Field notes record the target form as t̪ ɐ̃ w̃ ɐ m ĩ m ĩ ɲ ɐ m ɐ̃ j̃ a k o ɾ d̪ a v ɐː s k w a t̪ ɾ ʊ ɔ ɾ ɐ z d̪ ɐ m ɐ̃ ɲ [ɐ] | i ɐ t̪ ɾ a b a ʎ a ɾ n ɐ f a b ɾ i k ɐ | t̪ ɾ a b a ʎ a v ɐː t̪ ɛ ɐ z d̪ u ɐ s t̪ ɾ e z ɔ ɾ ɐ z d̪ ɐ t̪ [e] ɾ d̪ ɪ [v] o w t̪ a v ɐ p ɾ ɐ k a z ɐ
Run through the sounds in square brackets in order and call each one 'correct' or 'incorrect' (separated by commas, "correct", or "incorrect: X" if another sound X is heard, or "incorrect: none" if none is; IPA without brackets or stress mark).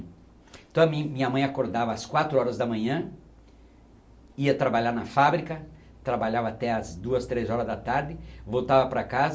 incorrect: ɐ̃, incorrect: a, correct